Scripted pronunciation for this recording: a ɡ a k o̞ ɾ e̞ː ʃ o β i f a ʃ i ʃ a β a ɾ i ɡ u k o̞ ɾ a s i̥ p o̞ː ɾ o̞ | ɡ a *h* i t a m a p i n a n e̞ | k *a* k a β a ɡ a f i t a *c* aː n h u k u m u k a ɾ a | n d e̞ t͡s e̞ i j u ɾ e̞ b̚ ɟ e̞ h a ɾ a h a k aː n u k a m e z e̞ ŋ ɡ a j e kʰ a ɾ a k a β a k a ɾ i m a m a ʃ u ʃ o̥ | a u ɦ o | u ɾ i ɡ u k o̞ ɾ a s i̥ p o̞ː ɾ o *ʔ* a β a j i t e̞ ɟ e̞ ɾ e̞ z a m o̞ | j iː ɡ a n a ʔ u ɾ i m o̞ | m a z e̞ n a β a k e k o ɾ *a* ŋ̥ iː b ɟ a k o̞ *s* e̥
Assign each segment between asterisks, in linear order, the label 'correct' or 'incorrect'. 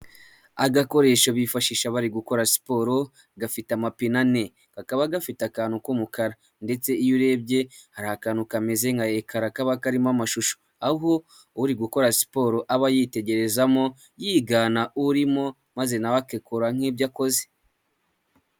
incorrect, correct, incorrect, correct, correct, incorrect

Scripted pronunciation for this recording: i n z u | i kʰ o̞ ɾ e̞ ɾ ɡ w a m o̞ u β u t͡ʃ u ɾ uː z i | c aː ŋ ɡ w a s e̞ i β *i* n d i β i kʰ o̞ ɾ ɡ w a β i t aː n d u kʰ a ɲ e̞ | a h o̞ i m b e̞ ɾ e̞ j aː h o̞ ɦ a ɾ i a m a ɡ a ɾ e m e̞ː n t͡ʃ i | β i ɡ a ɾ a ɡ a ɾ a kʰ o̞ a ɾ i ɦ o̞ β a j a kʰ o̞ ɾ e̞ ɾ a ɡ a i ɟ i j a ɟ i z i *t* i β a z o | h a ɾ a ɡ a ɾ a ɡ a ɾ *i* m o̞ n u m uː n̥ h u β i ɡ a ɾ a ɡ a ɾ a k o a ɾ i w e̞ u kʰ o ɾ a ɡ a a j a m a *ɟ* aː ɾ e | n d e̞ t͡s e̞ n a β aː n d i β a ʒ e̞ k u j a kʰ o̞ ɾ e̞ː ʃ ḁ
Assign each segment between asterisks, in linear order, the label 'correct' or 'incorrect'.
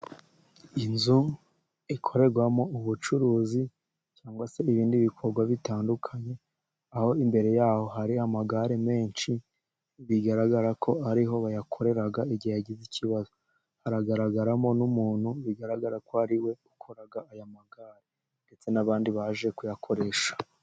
incorrect, incorrect, incorrect, incorrect

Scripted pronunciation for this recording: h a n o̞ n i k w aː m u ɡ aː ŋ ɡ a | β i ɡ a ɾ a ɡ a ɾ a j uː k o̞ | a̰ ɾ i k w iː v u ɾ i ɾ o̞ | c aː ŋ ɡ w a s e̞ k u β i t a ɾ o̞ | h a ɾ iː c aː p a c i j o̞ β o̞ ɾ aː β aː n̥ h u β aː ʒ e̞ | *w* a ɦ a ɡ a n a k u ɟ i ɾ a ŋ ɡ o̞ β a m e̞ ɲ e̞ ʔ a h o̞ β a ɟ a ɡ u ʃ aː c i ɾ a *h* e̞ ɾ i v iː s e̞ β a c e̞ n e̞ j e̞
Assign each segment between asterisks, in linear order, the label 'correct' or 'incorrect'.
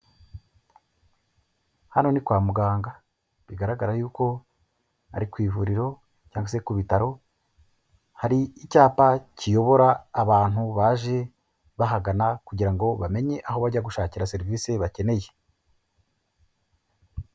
incorrect, incorrect

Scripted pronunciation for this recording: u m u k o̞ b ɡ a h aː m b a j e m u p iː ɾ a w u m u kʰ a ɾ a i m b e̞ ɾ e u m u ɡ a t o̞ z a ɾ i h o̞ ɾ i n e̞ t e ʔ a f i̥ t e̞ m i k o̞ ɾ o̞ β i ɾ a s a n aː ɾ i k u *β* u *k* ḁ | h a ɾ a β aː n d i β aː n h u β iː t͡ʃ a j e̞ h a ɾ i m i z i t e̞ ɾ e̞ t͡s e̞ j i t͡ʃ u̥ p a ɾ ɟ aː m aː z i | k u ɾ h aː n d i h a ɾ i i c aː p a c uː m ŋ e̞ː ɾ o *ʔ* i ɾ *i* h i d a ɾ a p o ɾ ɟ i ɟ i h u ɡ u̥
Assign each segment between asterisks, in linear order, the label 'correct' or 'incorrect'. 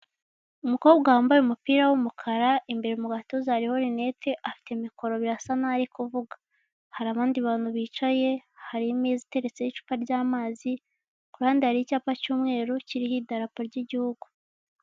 incorrect, incorrect, incorrect, correct

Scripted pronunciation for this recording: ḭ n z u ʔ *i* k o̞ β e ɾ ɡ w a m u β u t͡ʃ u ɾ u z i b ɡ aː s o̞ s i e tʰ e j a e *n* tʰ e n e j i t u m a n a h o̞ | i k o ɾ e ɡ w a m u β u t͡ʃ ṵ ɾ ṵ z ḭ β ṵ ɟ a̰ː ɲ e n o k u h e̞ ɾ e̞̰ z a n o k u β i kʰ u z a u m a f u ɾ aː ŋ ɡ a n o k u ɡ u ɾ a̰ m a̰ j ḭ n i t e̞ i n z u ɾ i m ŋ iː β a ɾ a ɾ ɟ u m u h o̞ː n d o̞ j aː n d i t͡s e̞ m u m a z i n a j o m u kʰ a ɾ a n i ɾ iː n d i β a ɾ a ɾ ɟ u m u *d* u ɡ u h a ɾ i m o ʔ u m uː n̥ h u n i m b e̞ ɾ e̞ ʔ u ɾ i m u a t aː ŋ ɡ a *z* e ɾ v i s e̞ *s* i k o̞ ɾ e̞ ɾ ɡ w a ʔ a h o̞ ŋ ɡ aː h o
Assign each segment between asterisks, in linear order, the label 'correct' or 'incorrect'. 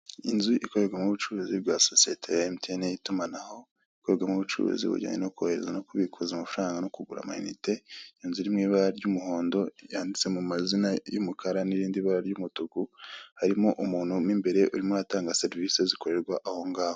correct, incorrect, incorrect, incorrect, incorrect

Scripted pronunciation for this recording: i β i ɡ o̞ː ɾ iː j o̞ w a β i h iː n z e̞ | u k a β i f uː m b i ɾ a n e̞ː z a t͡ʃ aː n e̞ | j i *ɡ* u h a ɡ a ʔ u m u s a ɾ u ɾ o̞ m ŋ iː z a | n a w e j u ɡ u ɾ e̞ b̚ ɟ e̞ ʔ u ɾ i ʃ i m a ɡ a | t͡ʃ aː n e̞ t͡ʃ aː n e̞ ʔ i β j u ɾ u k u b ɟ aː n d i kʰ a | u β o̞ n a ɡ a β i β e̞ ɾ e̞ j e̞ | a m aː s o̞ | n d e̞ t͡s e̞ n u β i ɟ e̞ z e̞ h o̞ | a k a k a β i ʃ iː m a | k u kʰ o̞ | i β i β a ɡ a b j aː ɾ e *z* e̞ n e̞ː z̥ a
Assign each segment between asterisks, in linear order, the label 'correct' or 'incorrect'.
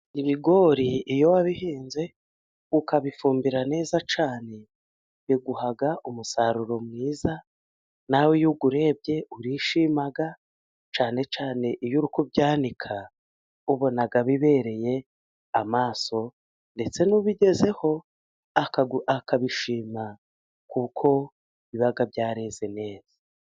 correct, correct

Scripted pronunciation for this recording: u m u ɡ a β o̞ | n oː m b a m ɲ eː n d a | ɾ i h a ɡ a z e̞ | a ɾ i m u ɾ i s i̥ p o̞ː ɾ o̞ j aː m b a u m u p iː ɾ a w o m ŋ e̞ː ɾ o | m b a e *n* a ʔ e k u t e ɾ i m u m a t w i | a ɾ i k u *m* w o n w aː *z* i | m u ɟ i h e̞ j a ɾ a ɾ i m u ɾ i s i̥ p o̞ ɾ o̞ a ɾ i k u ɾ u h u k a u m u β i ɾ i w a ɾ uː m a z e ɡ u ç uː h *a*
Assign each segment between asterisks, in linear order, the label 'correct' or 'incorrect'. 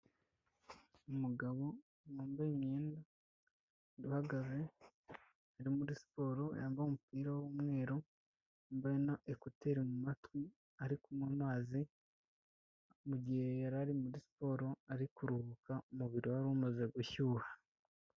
correct, correct, correct, correct

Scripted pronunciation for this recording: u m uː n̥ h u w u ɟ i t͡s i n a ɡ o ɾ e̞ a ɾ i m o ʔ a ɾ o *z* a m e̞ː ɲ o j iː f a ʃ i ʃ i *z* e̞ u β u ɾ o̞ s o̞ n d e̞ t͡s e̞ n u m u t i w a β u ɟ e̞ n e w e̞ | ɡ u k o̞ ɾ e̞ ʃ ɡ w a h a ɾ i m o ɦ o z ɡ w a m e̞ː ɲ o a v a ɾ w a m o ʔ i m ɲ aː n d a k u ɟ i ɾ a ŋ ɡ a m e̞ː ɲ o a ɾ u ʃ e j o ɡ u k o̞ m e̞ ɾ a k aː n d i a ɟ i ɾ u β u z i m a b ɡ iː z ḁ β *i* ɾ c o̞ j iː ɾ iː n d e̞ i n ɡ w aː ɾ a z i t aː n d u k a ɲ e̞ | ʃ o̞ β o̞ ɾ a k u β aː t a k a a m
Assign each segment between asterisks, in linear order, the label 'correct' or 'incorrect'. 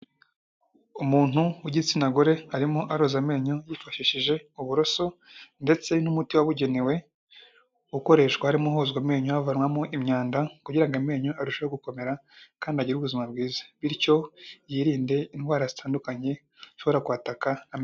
correct, incorrect, correct

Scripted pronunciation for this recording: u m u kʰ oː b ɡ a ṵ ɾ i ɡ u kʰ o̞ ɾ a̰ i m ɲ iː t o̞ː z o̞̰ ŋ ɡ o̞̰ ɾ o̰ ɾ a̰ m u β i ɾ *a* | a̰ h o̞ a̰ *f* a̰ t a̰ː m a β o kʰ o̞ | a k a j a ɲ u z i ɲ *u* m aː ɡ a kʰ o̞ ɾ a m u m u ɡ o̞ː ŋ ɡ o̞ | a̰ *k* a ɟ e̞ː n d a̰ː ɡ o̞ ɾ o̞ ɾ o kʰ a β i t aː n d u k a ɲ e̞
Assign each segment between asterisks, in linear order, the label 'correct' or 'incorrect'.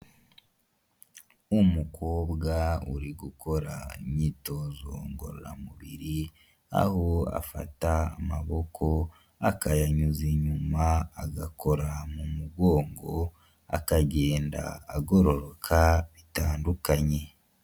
incorrect, correct, correct, correct

